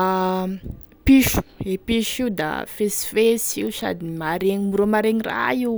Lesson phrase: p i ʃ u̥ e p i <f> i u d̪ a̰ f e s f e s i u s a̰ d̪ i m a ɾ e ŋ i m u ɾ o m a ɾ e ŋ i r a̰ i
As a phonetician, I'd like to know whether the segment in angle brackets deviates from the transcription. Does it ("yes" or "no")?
yes